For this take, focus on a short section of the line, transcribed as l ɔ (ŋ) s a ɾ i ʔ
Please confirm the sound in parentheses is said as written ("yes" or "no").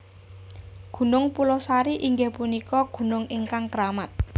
no